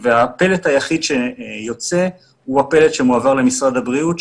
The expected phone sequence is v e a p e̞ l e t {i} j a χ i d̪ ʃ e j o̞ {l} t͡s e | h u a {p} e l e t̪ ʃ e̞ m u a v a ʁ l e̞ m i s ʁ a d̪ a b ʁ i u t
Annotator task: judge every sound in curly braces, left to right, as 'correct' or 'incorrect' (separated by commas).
incorrect, incorrect, correct